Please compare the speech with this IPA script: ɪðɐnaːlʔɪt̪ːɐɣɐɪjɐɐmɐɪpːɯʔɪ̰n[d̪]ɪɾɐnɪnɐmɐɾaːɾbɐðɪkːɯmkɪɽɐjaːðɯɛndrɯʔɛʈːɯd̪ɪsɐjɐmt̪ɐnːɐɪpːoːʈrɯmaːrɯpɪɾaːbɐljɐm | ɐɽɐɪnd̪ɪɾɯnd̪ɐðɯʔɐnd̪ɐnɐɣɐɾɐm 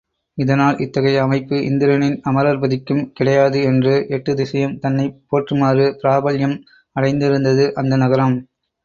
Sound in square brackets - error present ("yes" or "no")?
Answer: no